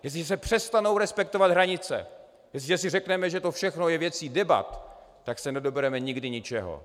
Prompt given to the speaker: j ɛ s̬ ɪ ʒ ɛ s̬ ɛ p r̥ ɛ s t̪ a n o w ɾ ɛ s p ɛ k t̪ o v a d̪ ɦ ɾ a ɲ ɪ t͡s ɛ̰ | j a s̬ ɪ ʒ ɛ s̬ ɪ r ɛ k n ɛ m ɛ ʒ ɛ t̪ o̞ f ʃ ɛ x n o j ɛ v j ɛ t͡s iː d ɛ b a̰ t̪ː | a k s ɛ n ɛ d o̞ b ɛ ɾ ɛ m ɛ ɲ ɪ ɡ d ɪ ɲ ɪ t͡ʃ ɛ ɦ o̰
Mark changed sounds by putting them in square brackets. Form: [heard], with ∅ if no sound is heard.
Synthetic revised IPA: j ɛ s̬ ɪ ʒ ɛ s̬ ɛ p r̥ ɛ s t̪ a n o w ɾ ɛ s p ɛ k t̪ o v a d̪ ɦ ɾ a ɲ ɪ t͡s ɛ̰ | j [ɛ] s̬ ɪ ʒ ɛ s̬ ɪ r ɛ k n ɛ m ɛ ʒ ɛ t̪ o̞ f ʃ ɛ x n o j ɛ v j ɛ t͡s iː d ɛ b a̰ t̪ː | a k s ɛ n ɛ d o̞ b ɛ ɾ ɛ m ɛ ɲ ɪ ɡ d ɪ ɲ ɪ t͡ʃ ɛ ɦ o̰